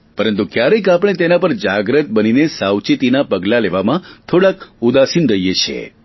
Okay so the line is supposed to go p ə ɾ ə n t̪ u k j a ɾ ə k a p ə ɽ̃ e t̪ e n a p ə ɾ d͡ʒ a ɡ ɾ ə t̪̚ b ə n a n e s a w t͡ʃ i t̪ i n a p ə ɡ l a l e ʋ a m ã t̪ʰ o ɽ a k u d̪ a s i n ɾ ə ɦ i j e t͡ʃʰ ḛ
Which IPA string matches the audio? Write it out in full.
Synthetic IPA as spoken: p ə ɾ ə n t̪ u k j a ɾ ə k a p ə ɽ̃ e t̪ e n a p ə ɾ d͡ʒ a ɡ ɾ ə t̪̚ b ə n i n e s a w t͡ʃ i t̪ i n a p ə ɡ l a l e ʋ a m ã t̪ʰ o ɽ a k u d̪ a s i n ɾ ə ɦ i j e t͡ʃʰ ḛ